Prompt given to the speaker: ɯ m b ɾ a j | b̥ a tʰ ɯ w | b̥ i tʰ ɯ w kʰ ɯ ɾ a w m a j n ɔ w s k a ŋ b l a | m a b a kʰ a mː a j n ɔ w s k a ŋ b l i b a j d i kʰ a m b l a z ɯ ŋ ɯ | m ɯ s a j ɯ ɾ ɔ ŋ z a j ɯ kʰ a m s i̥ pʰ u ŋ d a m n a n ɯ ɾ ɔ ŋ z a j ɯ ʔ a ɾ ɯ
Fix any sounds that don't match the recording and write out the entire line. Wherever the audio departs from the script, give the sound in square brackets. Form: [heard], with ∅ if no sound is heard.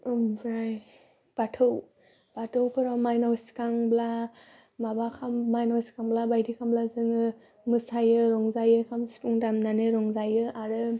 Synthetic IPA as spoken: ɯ m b ɾ a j | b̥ a tʰ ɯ w | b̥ [a] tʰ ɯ w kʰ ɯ ɾ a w m a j n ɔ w s k a ŋ b l a | m a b a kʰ a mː a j n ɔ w s k a ŋ b l [a] b a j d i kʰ a m b l a z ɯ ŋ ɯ | m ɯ s a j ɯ ɾ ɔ ŋ z a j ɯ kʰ a m s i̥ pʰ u ŋ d a m n a n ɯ ɾ ɔ ŋ z a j ɯ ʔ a ɾ ɯ